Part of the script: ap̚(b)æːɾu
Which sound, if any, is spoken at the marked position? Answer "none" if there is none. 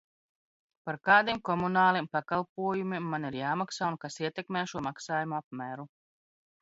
m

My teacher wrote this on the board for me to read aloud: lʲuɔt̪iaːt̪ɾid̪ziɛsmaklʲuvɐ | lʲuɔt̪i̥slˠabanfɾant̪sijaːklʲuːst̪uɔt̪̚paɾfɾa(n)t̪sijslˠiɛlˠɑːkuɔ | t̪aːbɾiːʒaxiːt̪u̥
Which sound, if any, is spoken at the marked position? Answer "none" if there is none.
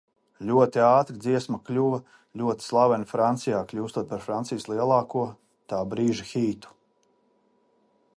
n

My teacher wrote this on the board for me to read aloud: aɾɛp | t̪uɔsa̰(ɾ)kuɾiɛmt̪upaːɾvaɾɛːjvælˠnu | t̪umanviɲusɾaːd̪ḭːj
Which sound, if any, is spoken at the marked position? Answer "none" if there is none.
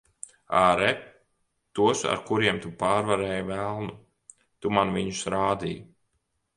ɾ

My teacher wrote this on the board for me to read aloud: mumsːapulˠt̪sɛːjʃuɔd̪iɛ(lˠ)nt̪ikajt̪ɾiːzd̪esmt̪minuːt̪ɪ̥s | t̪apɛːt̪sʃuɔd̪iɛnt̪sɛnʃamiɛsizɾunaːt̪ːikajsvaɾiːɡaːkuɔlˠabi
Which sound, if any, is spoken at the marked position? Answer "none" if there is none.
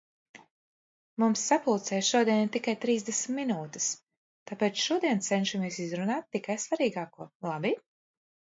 none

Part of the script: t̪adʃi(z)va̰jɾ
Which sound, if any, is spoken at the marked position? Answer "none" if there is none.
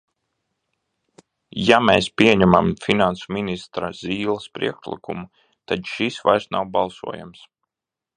s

